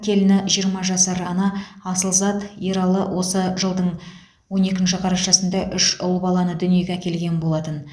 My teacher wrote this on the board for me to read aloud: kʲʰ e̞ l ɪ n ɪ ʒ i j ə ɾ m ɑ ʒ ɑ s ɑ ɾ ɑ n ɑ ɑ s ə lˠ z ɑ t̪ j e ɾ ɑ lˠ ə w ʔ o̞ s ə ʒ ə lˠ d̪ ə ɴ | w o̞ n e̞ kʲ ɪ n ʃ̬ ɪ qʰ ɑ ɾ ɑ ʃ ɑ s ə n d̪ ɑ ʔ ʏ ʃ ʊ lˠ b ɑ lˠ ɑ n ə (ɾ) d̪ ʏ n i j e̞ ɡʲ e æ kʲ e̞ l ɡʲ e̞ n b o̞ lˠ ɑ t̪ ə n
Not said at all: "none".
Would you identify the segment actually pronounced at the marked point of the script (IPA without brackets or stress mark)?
none